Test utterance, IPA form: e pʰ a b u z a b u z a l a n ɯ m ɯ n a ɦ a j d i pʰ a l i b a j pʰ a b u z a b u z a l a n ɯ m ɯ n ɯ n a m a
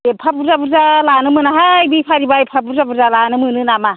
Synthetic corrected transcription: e pʰ a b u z a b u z a l a n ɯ m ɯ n a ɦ a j b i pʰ a ɾ i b a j pʰ a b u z a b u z a l a n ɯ m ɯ n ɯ n a m a